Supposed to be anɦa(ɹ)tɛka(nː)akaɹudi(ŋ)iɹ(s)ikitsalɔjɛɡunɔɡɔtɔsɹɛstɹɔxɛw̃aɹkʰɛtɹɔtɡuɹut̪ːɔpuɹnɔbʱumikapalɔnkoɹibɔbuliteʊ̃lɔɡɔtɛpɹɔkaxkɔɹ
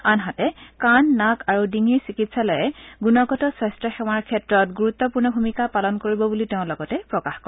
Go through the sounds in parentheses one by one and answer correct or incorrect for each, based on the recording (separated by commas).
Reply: incorrect, correct, correct, correct